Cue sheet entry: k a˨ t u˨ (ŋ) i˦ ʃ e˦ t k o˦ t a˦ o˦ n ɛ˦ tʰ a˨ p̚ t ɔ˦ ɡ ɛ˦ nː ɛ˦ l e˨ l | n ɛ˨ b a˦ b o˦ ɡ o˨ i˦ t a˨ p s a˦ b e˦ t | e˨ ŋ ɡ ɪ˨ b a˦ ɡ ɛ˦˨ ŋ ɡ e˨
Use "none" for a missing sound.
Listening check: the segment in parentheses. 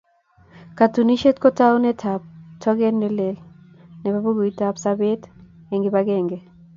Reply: n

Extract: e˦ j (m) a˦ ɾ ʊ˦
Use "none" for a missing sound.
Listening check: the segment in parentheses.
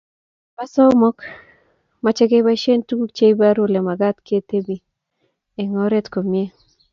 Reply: b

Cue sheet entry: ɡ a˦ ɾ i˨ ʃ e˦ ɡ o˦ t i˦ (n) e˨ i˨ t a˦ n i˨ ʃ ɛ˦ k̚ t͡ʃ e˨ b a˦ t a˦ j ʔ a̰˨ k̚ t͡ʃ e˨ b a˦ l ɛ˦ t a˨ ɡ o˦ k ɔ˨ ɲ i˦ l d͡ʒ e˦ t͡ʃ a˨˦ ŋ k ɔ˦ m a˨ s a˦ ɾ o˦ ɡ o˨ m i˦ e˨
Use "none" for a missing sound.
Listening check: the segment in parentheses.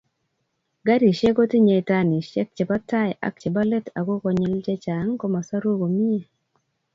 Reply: ɲ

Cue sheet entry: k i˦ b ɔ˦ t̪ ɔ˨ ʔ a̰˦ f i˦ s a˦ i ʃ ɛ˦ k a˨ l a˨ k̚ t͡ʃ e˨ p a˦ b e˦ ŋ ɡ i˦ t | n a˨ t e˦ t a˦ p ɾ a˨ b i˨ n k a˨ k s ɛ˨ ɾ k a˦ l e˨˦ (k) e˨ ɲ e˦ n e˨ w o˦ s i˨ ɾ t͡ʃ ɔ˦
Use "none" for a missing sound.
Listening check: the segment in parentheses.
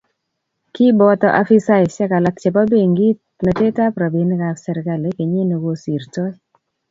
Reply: k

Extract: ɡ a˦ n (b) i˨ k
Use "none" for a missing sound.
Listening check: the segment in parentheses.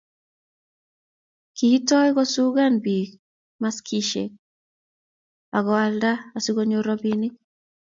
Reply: b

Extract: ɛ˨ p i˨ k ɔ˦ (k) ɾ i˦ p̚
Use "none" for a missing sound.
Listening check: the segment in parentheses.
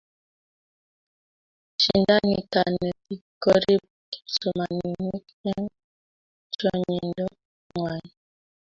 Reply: none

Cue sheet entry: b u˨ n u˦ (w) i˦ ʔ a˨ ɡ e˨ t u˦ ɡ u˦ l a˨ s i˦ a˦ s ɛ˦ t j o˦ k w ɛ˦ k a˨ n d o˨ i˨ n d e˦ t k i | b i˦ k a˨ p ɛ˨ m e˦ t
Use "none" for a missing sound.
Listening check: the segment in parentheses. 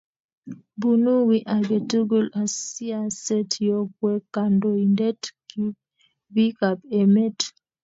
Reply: w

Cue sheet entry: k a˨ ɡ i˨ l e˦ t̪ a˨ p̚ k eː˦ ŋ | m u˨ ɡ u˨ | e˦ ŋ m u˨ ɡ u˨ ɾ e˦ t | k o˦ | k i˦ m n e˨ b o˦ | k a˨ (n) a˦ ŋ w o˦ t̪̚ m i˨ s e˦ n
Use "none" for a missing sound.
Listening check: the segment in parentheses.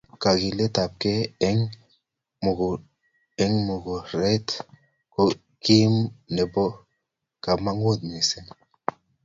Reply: m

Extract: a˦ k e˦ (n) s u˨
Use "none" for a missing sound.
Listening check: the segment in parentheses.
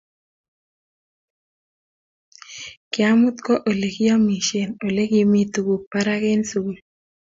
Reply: n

